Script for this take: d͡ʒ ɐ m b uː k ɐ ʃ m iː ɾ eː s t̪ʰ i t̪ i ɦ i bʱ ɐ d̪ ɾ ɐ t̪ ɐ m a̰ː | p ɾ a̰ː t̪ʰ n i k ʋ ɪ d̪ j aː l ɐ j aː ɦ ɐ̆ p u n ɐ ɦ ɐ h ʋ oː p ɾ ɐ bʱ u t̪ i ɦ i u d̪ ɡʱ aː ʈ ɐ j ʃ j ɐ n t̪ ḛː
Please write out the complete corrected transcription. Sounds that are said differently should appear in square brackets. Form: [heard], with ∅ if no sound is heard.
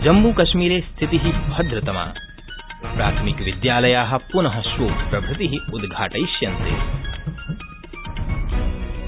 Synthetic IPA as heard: d͡ʒ ɐ m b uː k ɐ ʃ m iː ɾ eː s t̪ʰ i t̪ i ɦ i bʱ ɐ d̪ ɾ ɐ t̪ ɐ m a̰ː | p ɾ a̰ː t̪ʰ [m] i k ʋ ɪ d̪ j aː l ɐ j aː ɦ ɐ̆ p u n ɐ ɦ ɐ [ʃ] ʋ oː p ɾ ɐ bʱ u t̪ i ɦ i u d̪ ɡʱ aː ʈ ɐ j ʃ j ɐ n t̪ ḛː